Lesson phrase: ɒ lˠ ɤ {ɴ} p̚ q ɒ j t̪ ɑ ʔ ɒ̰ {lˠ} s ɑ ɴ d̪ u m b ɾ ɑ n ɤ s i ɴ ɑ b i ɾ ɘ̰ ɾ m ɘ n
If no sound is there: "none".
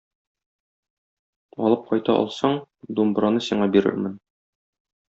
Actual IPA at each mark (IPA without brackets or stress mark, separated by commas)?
none, lˠ